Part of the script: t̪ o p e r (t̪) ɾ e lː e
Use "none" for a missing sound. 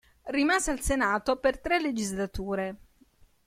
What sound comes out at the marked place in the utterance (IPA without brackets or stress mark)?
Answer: t̪